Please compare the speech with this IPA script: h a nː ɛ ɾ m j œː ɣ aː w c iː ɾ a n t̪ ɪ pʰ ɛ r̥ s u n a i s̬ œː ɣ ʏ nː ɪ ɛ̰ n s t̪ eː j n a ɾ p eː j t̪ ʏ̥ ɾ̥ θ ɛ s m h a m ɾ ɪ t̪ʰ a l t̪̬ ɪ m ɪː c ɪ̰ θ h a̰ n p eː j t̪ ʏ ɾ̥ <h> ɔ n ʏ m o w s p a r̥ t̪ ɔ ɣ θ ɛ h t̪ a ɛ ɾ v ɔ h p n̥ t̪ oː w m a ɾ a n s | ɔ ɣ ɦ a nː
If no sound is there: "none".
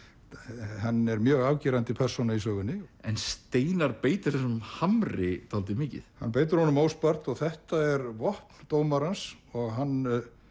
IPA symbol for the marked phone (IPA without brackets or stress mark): h